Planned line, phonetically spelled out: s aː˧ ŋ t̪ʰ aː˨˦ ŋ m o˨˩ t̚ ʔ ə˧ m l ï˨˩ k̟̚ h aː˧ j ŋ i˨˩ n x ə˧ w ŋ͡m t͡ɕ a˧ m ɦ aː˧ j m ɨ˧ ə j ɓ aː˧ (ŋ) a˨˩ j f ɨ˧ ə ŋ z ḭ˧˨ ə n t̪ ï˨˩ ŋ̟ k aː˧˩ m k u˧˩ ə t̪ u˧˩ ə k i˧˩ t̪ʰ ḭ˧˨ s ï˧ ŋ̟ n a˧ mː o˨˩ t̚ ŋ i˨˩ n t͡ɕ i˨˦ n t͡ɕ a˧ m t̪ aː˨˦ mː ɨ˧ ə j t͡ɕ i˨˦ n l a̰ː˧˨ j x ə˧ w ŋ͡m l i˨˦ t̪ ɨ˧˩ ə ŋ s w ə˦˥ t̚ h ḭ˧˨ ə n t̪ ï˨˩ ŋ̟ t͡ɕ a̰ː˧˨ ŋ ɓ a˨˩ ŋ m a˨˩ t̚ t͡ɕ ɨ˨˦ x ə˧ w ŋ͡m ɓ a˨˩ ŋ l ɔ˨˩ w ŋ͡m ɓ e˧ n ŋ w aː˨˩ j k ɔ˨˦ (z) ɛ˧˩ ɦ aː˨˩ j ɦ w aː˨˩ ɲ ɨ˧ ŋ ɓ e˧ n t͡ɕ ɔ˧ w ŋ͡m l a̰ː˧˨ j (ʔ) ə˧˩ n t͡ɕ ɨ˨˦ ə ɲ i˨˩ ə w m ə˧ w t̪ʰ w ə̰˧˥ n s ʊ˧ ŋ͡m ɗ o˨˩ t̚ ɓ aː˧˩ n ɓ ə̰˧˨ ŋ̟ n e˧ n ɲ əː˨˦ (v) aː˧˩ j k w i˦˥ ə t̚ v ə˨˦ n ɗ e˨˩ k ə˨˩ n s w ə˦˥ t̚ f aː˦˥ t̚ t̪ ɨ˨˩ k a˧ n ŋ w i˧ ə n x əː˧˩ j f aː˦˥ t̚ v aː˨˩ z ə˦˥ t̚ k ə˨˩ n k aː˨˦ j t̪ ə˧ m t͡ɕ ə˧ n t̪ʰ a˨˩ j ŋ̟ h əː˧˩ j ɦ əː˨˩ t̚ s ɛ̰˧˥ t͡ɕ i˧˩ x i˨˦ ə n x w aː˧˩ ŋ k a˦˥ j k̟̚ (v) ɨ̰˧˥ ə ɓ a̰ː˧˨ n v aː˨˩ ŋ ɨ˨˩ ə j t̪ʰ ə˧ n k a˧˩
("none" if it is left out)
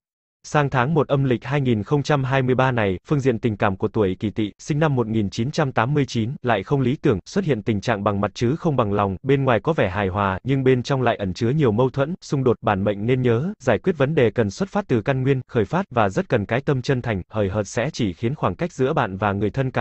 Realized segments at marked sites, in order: n, v, ʔ, z, z

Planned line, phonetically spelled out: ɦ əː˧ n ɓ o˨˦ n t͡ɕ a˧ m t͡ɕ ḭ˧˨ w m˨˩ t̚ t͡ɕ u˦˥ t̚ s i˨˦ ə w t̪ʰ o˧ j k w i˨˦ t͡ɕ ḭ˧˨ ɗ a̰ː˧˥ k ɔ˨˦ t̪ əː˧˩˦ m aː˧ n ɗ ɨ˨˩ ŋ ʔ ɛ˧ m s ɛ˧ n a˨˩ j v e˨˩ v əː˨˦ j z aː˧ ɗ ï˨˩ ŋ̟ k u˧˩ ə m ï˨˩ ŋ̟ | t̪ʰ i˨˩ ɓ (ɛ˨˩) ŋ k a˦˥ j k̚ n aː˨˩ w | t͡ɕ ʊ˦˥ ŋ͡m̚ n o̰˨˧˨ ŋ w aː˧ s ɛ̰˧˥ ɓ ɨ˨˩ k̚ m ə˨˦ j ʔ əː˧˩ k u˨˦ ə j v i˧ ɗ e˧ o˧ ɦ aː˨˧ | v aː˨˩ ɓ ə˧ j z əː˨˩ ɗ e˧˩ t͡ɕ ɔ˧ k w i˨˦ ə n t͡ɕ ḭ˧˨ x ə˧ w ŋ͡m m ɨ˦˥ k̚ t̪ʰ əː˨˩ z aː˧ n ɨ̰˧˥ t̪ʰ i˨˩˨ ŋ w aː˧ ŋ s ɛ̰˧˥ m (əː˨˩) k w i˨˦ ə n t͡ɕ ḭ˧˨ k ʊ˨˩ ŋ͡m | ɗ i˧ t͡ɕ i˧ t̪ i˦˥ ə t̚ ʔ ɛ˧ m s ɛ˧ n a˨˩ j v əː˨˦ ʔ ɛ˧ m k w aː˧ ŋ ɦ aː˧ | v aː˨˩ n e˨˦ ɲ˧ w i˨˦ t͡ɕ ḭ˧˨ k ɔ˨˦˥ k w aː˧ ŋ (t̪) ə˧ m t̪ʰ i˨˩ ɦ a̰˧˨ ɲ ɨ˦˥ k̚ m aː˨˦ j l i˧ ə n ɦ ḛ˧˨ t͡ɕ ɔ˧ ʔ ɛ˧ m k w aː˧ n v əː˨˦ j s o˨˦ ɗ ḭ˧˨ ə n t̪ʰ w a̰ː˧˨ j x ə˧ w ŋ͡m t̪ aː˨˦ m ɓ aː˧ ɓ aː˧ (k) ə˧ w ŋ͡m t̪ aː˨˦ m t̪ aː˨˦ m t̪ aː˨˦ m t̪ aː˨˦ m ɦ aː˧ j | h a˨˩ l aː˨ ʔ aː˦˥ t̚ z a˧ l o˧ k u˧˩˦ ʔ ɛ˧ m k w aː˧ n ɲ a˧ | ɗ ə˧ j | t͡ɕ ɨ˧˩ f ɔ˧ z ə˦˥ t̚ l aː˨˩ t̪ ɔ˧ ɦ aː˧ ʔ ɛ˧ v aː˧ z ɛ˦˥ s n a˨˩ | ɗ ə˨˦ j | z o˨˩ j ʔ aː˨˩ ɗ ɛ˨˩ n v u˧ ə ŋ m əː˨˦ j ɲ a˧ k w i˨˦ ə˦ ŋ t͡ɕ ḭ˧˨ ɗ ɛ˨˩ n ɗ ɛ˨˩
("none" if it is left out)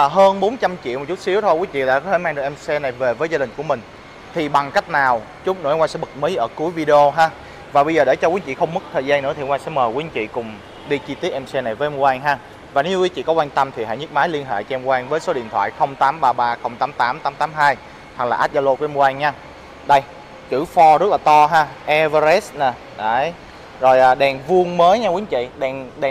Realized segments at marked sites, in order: a˨˩, əː˨˩, t̪, x

